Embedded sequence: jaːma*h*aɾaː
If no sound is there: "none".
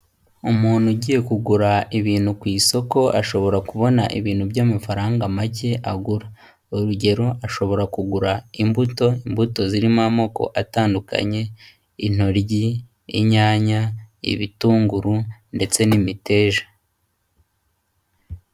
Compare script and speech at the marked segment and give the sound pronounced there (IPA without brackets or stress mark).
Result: f